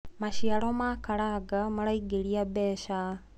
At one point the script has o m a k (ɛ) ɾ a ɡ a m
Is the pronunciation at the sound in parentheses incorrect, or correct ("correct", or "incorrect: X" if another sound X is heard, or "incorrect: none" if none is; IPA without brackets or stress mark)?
incorrect: a